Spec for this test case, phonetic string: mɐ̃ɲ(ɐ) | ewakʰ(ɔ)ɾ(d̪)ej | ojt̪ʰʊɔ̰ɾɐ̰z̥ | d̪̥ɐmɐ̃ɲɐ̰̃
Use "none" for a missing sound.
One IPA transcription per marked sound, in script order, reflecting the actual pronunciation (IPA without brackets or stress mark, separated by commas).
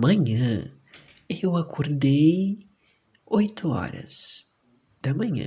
ɐ̃, o, d̪